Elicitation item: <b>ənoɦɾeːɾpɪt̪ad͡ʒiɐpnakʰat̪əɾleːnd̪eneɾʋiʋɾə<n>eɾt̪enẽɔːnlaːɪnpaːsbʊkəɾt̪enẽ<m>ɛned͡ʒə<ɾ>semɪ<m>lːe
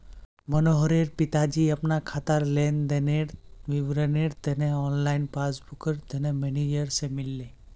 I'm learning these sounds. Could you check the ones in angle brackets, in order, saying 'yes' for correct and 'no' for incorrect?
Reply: no, yes, yes, yes, no

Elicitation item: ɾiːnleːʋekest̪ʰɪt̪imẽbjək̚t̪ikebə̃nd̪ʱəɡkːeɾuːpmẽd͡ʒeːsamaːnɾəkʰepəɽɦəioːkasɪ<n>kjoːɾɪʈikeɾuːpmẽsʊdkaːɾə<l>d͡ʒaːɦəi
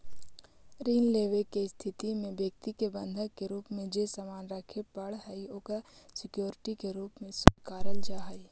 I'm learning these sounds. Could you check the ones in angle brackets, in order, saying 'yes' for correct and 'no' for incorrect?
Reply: no, yes

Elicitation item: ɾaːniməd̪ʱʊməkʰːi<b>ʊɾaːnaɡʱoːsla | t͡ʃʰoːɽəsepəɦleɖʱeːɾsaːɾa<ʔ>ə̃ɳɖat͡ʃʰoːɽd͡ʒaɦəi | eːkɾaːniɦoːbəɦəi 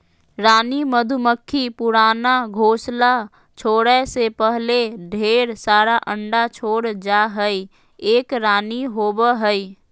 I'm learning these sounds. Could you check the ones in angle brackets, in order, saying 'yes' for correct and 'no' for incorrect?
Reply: no, yes

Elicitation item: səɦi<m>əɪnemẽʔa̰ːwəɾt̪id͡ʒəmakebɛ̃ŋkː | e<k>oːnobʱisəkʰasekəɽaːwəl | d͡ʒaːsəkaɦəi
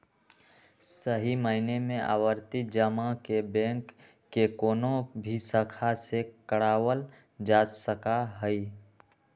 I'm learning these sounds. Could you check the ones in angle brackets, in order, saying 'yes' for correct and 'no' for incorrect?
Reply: yes, yes

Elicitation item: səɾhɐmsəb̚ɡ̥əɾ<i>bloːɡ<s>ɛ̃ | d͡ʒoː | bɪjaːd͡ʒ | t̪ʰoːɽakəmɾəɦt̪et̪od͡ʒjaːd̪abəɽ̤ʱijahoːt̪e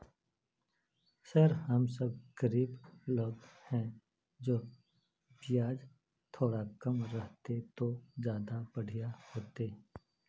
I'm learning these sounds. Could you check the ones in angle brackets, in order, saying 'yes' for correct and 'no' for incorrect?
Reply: no, no

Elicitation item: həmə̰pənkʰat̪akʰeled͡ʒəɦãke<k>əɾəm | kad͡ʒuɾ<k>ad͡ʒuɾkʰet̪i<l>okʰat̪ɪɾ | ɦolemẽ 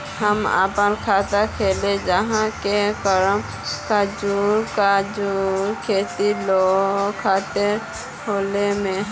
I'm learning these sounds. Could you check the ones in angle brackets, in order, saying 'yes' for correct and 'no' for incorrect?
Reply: yes, yes, yes

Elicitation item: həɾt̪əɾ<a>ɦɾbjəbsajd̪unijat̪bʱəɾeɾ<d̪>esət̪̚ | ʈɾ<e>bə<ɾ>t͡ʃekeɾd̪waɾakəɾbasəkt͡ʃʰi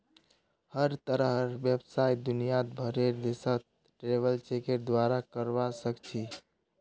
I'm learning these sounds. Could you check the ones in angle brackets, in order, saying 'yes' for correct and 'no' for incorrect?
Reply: no, yes, yes, no

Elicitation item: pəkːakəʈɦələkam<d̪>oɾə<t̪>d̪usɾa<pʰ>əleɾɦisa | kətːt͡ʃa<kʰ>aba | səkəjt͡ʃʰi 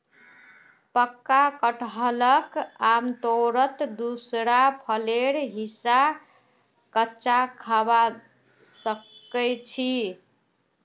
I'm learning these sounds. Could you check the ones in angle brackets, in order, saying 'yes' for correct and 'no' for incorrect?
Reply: no, yes, yes, yes

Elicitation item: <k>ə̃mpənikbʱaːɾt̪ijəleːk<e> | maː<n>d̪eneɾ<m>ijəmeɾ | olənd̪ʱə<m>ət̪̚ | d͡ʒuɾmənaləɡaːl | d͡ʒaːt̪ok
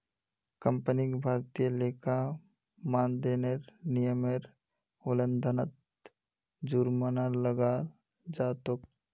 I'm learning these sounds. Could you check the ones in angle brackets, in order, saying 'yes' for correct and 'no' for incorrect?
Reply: yes, no, yes, no, no

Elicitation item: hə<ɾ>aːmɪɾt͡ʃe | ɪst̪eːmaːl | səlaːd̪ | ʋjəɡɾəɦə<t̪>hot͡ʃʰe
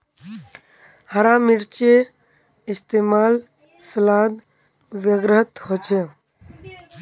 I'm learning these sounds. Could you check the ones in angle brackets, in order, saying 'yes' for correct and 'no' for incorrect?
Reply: yes, yes

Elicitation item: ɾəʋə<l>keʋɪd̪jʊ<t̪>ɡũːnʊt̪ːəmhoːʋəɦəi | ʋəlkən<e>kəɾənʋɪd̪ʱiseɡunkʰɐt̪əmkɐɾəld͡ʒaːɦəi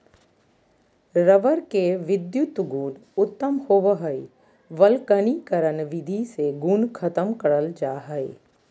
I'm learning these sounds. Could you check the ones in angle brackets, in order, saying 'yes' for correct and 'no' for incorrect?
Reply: no, yes, no

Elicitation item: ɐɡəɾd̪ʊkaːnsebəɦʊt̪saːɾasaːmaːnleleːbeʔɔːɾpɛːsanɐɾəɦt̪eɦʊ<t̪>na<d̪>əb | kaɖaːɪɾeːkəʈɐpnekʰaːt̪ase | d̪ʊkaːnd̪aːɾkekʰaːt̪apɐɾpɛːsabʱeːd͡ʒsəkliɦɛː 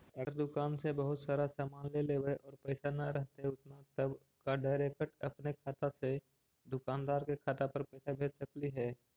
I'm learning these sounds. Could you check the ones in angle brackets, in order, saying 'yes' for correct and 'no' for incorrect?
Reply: yes, no

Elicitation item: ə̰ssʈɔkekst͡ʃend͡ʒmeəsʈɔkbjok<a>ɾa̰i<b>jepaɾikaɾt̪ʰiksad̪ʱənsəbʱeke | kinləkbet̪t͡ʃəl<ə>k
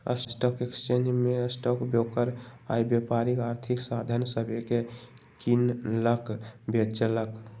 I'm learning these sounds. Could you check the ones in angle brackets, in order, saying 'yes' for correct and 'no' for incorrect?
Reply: no, yes, yes

